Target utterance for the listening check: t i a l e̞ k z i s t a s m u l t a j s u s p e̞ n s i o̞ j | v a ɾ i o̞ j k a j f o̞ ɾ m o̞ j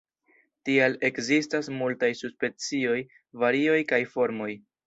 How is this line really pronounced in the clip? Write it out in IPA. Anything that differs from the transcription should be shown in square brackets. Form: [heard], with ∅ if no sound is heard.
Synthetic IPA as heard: t i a l e̞ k z i s t a s m u l t a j s u s p e̞ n [t͡s] i o̞ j | v a ɾ i o̞ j k a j f o̞ ɾ m o̞ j

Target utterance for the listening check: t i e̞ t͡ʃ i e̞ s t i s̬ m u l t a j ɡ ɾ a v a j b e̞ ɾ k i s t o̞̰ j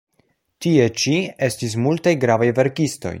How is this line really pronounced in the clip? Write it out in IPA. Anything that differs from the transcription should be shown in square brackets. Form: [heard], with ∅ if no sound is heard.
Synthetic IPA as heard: t i e̞ t͡ʃ i e̞ s t i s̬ m u l t a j ɡ ɾ a v a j [v] e̞ ɾ k i s t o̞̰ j

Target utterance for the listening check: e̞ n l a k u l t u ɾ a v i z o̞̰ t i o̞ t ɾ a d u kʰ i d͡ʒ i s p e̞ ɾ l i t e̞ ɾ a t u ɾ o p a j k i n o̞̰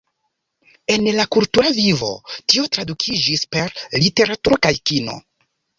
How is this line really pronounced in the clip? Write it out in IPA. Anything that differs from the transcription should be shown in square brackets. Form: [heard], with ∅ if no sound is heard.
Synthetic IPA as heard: e̞ n l a k u l t u ɾ a v i [v] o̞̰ t i o̞ t ɾ a d u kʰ i d͡ʒ i s p e̞ ɾ l i t e̞ ɾ a t u ɾ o [k] a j k i n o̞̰

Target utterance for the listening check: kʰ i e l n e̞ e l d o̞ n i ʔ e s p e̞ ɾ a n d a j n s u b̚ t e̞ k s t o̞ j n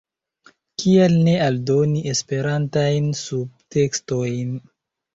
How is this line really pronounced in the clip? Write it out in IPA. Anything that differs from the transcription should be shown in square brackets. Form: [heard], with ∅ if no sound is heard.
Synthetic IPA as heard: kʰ i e l n e̞ [a] l d o̞ n i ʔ e s p e̞ ɾ a n [t] a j n s u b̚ t e̞ k s t o̞ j n

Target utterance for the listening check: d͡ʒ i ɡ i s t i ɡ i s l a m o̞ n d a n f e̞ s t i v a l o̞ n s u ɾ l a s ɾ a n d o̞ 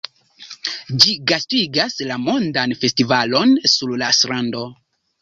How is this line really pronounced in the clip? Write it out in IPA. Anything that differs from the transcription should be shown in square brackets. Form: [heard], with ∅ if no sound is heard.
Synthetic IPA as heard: d͡ʒ i ɡ [a] s t i ɡ [a] s l a m o̞ n d a n f e̞ s t i v a l o̞ n s u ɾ l a s ɾ a n d o̞

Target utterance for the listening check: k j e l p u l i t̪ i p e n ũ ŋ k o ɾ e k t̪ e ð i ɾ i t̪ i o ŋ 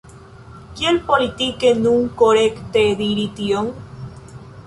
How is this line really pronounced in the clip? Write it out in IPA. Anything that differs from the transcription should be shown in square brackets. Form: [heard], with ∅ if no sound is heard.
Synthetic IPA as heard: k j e l p [o] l i t̪ i [k] e n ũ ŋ k o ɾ e k t̪ e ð i ɾ i t̪ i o ŋ

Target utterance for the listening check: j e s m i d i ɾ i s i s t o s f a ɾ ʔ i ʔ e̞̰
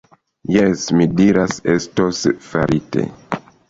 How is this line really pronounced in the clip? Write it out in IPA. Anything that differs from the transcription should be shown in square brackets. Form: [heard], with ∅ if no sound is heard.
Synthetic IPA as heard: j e s m i d i ɾ [a] s [e] s t o s f a ɾ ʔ i [t] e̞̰

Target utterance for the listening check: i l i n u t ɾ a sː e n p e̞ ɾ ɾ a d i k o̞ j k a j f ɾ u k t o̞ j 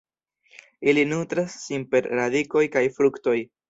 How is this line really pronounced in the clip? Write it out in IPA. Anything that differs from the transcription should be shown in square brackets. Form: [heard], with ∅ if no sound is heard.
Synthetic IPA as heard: i l i n u t ɾ a sː [i] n p e̞ ɾ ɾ a d i k o̞ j k a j f ɾ u k t o̞ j

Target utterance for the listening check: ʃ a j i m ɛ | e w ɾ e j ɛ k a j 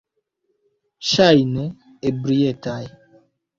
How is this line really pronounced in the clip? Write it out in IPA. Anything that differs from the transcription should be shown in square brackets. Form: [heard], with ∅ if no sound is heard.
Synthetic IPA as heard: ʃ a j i [n] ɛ | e [b] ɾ [i] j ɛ [t] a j

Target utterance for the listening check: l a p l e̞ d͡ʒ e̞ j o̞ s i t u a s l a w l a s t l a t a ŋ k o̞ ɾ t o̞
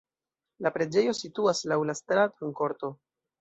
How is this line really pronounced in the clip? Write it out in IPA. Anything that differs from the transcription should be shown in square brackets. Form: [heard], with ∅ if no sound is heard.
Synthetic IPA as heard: l a p [ɾ] e̞ d͡ʒ e̞ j o̞ s i t u a s l a w l a s t [ɾ] a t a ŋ k o̞ ɾ t o̞

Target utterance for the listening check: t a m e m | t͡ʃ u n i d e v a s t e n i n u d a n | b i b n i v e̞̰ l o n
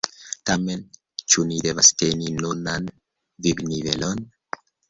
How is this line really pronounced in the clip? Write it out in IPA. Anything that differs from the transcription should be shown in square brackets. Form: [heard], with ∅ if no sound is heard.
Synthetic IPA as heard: t a m e [n] | t͡ʃ u n i d e v a s t e n i n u [n] a n | [v] i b n i v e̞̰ l o n

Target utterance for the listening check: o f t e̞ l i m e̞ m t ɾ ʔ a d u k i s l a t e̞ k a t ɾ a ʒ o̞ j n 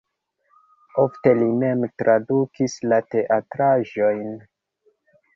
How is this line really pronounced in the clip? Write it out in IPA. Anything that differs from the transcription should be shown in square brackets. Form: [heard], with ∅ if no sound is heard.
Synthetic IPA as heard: o f t e̞ l i m e̞ m t ɾ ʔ a d u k i s l a t e̞ [ʔ] a t ɾ a ʒ o̞ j n

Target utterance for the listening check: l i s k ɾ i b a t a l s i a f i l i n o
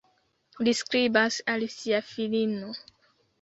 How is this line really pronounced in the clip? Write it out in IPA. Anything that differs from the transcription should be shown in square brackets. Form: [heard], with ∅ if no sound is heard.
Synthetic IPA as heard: l i s k ɾ i b a [s] a l s i a f i l i n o

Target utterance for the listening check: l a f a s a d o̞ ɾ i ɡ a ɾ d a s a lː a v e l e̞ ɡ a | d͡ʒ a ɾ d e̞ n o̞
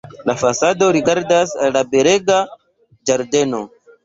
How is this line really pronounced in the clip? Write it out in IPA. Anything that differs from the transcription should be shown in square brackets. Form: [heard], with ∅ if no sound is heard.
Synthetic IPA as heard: l a f a s a d o̞ ɾ i ɡ a ɾ d a s a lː a [b] e [ɾ] e̞ ɡ a | d͡ʒ a ɾ d e̞ n o̞

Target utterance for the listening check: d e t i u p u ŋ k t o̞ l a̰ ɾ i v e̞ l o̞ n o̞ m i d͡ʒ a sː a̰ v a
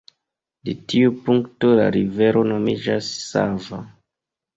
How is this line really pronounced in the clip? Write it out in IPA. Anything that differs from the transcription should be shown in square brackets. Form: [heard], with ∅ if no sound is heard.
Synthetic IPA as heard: d e t i u p u ŋ k t o̞ l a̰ ɾ i v e̞ [ɾ] o̞ n o̞ m i d͡ʒ a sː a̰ v a

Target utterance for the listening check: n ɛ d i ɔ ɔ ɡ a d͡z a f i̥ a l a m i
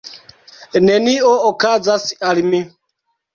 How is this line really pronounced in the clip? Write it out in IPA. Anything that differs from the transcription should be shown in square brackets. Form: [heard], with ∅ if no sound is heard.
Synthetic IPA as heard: n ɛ [n] i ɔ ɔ [k] a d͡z a [s] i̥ a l [i] m i

